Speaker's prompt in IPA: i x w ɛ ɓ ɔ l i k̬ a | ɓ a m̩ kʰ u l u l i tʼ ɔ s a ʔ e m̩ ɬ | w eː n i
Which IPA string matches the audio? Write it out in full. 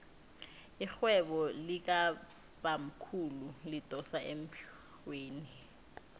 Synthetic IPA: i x w ɛ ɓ ɔ l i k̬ a | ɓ a m̩ kʰ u l u l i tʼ ɔ s a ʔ e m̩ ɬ | w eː n i